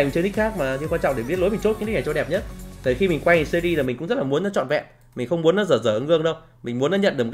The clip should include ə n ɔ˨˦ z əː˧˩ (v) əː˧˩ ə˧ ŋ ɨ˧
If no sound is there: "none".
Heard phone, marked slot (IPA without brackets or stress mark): z